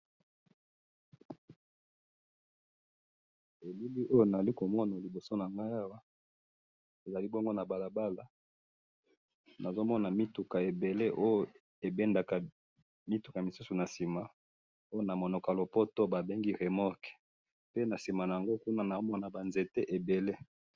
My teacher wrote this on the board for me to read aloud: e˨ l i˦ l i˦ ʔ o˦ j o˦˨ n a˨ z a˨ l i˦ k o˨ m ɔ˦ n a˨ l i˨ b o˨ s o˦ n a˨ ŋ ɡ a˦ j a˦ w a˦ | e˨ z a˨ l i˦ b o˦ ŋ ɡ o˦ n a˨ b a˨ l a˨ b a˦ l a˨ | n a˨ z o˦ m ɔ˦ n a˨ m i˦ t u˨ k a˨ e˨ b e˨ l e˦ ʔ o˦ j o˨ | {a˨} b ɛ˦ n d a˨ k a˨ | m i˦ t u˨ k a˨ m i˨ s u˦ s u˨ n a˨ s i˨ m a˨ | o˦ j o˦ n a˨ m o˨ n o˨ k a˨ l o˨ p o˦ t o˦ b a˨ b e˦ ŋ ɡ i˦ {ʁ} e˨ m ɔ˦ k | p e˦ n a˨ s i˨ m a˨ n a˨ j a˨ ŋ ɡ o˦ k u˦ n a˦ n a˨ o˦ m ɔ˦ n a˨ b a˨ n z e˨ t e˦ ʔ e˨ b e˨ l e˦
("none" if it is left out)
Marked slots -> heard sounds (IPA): e˨, ʁ

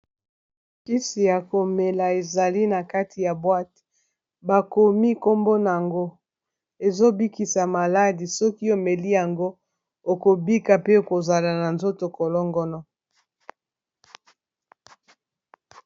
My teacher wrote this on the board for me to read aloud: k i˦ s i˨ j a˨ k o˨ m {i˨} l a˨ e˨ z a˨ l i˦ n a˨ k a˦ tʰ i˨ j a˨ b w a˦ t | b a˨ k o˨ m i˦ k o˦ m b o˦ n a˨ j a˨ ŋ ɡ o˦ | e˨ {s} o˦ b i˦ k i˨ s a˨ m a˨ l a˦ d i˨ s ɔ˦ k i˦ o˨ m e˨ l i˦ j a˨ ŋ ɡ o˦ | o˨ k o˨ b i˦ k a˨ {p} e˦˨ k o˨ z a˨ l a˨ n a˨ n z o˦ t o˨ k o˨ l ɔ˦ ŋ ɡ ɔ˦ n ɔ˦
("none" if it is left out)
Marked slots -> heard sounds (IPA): e˨, z, p

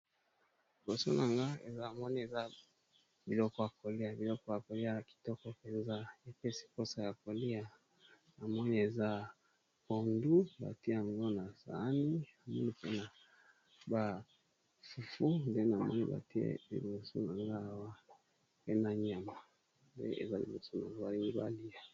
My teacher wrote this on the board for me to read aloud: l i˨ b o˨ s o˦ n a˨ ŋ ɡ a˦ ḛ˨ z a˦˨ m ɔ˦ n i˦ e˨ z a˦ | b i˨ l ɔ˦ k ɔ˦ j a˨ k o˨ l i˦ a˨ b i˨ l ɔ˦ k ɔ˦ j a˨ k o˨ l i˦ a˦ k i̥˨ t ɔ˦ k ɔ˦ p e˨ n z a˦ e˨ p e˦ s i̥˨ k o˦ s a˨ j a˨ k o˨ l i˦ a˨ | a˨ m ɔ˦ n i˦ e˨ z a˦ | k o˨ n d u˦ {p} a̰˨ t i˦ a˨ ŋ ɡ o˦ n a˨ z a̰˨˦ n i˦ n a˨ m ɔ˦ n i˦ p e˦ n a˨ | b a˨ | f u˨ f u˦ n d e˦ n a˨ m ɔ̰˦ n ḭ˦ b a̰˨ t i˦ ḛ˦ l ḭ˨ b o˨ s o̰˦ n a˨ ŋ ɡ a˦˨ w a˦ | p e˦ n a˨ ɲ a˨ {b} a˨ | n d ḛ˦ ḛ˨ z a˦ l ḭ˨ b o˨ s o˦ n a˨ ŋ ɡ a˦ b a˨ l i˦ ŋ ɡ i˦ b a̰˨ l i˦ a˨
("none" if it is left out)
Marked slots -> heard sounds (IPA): b, m

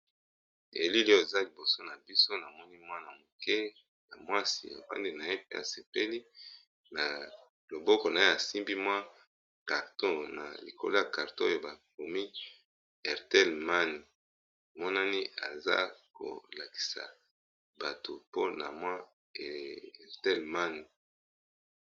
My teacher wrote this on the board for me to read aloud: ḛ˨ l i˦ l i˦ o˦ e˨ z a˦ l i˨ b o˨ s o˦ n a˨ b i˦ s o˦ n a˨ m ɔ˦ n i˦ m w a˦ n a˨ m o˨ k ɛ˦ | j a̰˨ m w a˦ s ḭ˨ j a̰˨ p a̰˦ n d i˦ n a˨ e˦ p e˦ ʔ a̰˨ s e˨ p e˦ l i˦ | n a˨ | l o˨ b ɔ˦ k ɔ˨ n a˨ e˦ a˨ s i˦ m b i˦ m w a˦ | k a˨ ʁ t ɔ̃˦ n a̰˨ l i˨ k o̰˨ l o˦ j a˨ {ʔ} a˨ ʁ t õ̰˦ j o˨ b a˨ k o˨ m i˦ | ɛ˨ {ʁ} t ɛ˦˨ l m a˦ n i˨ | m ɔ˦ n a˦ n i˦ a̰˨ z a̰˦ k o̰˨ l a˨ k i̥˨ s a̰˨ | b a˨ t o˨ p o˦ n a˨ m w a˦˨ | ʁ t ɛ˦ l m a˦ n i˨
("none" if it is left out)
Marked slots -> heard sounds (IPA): k, ʁ

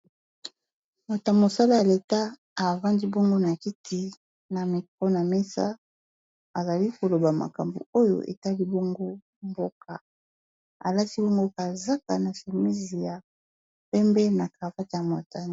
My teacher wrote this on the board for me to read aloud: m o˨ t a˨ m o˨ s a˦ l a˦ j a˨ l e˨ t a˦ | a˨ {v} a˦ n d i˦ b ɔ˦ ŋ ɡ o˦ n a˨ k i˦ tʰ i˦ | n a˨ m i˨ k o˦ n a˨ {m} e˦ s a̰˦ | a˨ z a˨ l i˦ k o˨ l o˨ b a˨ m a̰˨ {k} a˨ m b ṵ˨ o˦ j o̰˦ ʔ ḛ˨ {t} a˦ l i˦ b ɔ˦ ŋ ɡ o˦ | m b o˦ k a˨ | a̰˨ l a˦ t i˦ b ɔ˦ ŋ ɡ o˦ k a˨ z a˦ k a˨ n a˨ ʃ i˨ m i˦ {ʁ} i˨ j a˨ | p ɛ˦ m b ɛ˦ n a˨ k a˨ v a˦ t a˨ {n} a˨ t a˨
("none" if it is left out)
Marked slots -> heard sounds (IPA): v, m, k, t, z, m

